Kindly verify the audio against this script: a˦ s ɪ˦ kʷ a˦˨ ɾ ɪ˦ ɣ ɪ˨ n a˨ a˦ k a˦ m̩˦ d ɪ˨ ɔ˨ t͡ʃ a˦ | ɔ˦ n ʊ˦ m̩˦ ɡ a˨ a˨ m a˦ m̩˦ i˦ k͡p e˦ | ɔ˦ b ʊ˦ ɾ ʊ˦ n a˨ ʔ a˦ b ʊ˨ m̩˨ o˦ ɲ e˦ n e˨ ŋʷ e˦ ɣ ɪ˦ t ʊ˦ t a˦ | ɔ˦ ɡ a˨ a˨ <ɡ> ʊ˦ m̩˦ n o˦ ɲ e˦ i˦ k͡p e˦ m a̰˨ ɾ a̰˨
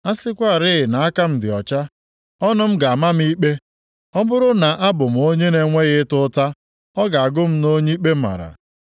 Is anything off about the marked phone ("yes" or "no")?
no